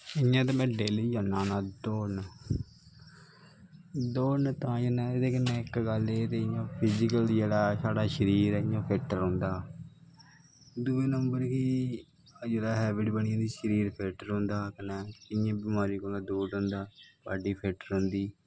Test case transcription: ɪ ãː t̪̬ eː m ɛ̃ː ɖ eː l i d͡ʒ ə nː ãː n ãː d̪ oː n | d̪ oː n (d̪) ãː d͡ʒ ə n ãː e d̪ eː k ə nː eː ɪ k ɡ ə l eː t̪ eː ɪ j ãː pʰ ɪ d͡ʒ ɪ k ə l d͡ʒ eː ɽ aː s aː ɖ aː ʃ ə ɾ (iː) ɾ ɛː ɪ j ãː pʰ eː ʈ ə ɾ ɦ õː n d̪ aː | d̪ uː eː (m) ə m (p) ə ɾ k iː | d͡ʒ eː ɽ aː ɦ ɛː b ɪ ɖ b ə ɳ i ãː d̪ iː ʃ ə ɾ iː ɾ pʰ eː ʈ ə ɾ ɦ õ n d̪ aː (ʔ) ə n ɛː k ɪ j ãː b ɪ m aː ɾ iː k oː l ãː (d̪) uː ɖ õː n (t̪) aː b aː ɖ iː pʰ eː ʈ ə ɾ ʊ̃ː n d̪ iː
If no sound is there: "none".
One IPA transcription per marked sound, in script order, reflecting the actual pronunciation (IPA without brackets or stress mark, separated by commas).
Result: t̪, iː, n, b, k, d̪, d̪